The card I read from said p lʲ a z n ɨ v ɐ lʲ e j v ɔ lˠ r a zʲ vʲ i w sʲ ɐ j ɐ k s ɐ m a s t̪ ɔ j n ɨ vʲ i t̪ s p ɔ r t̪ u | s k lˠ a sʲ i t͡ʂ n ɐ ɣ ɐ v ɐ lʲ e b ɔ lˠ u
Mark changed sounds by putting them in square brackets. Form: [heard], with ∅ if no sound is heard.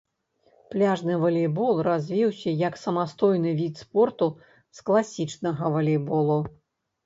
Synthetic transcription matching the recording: p lʲ a [ʐ] n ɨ v ɐ lʲ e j [b] ɔ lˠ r a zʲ vʲ i w sʲ ɐ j ɐ k s ɐ m a s t̪ ɔ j n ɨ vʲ i t̪ s p ɔ r t̪ u | s k lˠ a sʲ i t͡ʂ n ɐ ɣ ɐ v ɐ lʲ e b ɔ lˠ u